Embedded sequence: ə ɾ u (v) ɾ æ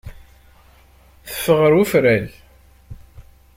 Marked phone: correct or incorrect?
incorrect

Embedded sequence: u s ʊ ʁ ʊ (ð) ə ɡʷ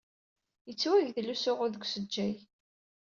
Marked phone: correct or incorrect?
correct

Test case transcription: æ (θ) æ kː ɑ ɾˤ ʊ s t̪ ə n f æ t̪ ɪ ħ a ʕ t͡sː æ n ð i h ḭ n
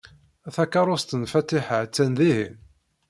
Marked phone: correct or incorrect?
correct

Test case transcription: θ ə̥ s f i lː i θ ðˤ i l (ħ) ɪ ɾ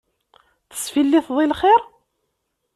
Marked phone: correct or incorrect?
incorrect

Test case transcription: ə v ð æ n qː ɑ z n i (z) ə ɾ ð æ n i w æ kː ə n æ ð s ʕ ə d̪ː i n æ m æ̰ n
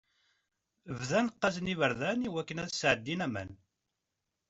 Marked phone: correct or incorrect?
incorrect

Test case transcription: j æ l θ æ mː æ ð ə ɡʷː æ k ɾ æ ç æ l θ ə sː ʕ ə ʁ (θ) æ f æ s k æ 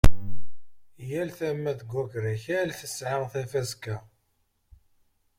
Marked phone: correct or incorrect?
correct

